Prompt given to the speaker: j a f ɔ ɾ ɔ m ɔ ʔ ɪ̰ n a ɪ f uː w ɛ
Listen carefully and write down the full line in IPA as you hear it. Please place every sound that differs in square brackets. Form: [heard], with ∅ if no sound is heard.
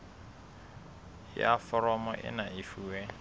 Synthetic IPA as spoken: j a f ɔ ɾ ɔ m ɔ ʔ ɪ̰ n a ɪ f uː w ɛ